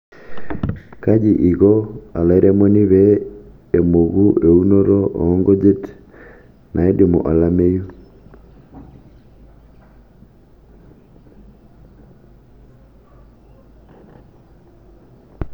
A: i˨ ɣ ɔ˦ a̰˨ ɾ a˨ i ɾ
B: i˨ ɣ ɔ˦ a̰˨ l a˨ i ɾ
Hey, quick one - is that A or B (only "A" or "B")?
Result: B